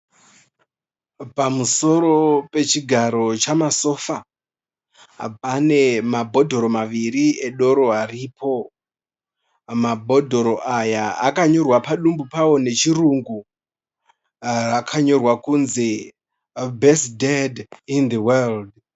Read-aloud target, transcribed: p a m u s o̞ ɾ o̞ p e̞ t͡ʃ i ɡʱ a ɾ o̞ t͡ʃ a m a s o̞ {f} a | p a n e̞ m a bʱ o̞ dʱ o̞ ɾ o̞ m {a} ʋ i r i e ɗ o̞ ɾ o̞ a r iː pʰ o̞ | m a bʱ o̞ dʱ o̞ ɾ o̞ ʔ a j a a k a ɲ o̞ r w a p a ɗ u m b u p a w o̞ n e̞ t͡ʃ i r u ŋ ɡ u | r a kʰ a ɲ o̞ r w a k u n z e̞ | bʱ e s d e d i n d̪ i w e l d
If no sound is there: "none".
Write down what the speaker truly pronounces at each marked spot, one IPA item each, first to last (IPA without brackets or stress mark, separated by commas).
f, a